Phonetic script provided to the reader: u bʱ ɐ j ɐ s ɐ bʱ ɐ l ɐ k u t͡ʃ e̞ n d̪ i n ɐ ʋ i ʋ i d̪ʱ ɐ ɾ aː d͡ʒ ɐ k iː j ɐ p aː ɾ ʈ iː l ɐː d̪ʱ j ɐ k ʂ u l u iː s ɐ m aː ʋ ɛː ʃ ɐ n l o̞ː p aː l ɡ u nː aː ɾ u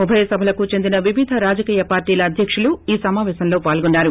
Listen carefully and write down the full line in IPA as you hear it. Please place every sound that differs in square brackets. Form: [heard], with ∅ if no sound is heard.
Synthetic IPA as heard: u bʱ ɐ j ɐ s ɐ bʱ ɐ l ɐ k u t͡ʃ e̞ n d̪ i n ɐ ʋ i ʋ i d̪ʱ ɐ ɾ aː d͡ʒ ɐ k iː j ɐ p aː ɾ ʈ iː l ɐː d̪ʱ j ɐ k ʂ u l u iː s ɐ m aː ʋ ɛː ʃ ɐ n l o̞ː p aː l ɡ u nː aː ɾ u